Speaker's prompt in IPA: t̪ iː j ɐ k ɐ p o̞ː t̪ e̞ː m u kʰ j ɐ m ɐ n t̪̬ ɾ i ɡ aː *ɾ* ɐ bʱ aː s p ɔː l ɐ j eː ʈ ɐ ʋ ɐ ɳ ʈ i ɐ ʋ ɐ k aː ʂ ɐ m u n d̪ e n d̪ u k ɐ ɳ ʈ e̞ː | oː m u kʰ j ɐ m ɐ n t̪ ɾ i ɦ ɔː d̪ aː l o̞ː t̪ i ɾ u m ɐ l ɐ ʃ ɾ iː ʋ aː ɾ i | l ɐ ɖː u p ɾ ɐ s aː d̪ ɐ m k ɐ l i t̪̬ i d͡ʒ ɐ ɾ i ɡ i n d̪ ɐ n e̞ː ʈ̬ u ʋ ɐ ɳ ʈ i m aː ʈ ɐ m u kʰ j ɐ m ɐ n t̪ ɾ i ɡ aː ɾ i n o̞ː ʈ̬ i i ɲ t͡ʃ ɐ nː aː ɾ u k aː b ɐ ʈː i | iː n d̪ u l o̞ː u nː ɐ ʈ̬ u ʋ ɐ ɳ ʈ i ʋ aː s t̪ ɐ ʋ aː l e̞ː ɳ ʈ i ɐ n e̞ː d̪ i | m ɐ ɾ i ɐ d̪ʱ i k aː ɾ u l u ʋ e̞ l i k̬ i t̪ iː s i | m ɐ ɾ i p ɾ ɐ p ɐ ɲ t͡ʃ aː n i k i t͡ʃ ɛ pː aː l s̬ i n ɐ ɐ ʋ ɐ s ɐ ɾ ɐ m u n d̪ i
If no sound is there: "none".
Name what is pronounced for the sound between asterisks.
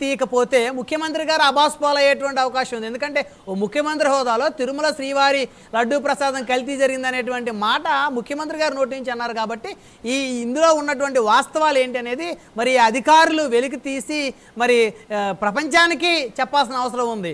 ɾ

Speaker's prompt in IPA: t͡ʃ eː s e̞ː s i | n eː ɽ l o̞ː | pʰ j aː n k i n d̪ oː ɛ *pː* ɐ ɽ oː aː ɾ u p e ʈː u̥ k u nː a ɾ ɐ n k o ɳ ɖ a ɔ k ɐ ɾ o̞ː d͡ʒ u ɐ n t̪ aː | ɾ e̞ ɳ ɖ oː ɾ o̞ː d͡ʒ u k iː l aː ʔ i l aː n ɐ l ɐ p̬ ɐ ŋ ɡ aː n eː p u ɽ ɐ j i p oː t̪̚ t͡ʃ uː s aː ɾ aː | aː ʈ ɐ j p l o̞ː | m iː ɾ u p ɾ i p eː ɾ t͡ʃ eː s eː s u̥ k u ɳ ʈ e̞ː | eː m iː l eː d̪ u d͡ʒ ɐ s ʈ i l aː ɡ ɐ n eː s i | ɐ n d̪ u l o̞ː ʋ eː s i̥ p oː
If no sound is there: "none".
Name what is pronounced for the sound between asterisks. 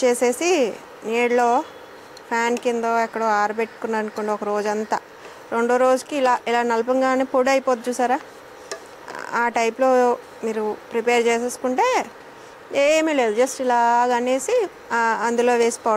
kː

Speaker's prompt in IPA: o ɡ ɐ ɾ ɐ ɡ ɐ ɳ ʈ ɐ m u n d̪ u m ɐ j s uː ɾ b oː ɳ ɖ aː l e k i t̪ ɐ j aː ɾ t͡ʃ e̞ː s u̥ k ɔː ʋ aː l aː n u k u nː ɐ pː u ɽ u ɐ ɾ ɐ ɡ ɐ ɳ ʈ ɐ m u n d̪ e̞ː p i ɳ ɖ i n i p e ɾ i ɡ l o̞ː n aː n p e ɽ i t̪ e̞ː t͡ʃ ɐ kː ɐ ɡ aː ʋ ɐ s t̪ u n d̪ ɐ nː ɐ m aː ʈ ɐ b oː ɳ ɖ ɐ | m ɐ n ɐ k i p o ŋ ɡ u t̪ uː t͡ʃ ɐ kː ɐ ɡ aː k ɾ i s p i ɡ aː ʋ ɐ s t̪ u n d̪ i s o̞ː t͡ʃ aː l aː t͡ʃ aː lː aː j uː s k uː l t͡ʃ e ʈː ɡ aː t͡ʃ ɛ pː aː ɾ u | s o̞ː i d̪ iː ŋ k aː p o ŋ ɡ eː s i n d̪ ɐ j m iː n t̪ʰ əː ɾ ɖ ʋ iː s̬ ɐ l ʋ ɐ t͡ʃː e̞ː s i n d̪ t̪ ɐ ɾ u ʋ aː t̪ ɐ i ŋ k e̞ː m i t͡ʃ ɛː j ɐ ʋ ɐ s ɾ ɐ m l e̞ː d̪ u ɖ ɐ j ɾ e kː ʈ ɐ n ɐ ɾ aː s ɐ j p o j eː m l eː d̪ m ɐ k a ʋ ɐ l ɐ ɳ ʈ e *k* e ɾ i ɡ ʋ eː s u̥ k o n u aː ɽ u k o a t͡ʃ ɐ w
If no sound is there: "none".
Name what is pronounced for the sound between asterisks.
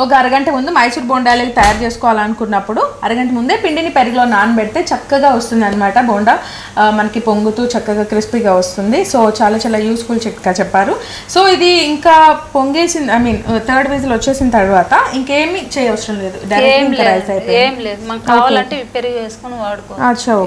p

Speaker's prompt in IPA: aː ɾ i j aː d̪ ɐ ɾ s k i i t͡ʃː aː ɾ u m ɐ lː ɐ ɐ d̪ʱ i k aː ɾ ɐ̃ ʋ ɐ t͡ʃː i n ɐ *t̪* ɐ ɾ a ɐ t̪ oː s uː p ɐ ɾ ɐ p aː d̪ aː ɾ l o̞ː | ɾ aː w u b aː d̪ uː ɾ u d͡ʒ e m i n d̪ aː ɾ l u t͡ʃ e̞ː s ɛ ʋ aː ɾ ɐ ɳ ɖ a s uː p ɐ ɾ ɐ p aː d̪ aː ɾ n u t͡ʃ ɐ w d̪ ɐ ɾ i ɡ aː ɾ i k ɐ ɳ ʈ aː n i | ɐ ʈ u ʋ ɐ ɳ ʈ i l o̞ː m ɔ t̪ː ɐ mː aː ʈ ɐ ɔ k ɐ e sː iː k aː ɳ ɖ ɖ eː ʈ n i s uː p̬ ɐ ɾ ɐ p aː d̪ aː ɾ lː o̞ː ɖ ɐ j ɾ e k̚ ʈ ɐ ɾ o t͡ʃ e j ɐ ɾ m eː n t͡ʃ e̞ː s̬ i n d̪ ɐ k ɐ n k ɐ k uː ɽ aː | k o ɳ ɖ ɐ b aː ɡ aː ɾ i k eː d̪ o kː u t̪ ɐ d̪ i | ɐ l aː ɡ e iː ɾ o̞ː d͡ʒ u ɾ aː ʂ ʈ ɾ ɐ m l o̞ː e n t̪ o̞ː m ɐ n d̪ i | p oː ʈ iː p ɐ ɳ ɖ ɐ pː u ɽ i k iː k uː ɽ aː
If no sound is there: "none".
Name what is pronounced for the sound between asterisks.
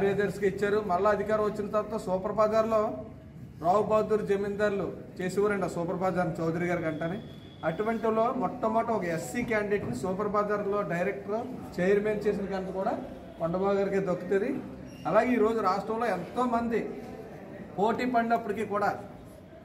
t̪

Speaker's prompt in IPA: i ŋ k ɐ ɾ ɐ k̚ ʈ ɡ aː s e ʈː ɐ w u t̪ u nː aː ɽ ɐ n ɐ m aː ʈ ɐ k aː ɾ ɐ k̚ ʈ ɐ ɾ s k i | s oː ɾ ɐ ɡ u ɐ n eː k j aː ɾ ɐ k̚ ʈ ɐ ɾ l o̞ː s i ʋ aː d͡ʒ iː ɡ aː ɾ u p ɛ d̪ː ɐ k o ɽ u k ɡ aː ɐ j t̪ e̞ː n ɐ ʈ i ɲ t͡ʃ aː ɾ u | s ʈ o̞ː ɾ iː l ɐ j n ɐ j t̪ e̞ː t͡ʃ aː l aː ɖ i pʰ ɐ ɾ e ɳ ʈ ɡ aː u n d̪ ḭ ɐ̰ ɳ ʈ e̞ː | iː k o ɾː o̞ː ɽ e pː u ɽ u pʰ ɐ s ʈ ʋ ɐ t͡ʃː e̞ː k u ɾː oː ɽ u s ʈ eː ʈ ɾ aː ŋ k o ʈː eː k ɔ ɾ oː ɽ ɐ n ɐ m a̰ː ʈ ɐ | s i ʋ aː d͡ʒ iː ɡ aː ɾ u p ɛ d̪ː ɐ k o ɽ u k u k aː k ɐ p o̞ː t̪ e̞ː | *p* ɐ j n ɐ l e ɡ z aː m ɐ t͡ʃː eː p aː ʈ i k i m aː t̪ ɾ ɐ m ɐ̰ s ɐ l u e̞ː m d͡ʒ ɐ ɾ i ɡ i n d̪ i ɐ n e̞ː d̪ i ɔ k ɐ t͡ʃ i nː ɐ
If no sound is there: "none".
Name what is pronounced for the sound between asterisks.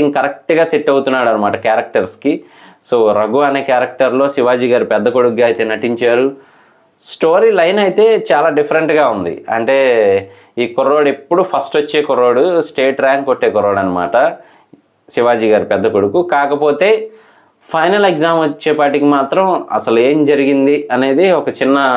pʰ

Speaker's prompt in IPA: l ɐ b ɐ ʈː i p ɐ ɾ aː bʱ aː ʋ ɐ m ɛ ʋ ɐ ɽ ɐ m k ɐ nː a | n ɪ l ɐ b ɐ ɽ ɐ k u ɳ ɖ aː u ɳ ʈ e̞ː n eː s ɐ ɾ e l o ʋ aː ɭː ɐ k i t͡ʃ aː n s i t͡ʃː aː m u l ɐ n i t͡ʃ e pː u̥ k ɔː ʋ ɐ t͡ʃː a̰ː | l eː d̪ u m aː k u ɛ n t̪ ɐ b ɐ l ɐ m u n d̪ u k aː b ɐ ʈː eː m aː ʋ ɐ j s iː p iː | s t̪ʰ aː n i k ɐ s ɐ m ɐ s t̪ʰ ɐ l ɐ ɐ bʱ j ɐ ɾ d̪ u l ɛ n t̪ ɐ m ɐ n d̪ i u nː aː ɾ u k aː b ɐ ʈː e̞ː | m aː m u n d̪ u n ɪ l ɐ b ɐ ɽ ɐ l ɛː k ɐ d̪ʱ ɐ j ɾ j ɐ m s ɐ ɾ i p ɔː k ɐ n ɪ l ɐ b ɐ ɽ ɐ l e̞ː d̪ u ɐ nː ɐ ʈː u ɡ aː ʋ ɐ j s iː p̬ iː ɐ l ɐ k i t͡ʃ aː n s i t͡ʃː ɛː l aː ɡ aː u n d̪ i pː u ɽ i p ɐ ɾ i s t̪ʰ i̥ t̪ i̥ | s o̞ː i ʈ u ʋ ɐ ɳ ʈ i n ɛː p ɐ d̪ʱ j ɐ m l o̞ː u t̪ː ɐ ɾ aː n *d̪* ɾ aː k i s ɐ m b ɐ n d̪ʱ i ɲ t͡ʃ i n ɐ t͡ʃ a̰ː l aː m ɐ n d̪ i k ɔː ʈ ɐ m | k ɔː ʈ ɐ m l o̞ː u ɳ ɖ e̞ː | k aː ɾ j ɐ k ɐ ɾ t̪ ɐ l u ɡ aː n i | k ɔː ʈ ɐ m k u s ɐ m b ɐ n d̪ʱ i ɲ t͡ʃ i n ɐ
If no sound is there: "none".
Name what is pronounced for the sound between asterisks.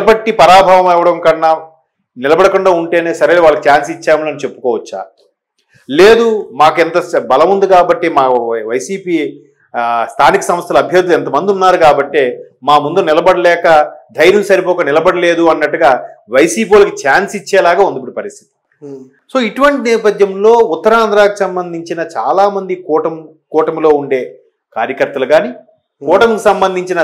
d̪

